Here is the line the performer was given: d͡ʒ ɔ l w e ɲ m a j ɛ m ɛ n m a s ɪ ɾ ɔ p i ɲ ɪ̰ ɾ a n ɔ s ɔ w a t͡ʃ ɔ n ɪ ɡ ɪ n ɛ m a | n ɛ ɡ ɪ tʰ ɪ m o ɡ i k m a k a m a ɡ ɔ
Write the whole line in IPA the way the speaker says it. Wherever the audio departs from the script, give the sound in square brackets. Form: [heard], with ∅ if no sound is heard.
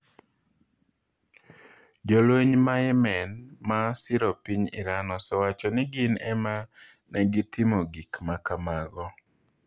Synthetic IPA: d͡ʒ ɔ l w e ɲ m a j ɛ m ɛ n m a s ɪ ɾ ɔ p i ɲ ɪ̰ ɾ a n ɔ s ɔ w a t͡ʃ ɔ n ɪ ɡ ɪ n ɛ m a | n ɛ ɡ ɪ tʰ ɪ m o ɡ i k m a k a m a ɡ ɔ